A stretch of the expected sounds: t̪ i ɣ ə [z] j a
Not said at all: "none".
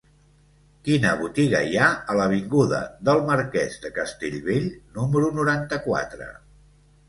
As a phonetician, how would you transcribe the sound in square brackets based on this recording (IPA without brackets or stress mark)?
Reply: none